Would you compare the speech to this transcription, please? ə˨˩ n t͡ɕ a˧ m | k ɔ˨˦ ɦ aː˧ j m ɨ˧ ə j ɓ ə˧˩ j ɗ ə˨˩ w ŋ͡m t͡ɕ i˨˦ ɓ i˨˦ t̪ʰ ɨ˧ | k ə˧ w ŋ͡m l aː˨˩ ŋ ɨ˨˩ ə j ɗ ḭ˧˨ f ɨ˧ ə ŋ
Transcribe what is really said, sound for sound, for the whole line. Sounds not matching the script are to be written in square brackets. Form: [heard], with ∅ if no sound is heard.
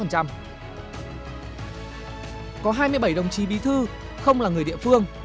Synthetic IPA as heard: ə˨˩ n t͡ɕ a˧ m | k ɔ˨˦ ɦ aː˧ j m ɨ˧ ə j ɓ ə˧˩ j ɗ ə˨˩ w ŋ͡m t͡ɕ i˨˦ ɓ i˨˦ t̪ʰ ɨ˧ | [x] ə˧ w ŋ͡m l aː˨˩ ŋ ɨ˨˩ ə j ɗ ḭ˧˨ f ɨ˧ ə ŋ